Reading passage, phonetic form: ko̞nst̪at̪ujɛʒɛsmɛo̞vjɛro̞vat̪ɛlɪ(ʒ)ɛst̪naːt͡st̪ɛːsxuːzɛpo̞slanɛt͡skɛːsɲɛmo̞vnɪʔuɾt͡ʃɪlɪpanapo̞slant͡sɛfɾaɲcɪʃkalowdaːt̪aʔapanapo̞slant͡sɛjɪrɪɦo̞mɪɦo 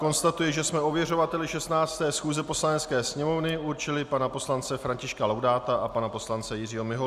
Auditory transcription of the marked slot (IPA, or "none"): ʃ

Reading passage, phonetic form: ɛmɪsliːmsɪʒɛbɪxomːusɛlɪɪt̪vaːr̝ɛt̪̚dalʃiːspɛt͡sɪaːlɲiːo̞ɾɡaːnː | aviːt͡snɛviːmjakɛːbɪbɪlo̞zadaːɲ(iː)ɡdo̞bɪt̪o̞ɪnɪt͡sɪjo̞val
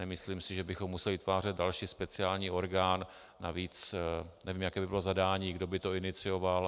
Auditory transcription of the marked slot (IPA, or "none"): iː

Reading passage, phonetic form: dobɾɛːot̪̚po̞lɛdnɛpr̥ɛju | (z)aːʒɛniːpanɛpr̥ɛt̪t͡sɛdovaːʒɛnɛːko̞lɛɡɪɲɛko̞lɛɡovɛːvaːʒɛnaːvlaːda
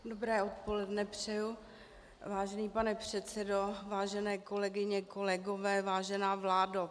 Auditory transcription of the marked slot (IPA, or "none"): v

